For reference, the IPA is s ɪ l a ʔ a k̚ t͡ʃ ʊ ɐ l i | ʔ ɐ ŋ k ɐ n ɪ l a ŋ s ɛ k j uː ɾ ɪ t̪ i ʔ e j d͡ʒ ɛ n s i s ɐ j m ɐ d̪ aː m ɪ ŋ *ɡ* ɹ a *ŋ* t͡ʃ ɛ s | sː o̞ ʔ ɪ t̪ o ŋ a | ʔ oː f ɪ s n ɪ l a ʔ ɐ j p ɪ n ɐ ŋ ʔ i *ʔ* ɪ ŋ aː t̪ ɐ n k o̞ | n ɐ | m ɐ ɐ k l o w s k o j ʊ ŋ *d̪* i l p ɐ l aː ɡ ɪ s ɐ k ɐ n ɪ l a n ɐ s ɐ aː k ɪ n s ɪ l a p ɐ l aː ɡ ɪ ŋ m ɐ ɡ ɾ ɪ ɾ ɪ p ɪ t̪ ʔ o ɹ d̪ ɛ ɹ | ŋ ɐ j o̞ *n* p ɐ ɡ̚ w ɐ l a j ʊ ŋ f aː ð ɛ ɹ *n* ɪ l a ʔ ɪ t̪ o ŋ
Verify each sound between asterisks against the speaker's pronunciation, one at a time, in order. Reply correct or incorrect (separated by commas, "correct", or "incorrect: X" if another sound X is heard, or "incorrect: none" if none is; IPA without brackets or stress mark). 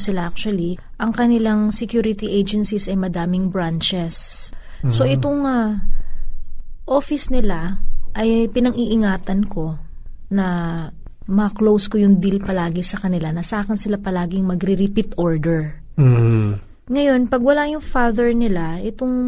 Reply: incorrect: b, incorrect: n, correct, correct, correct, correct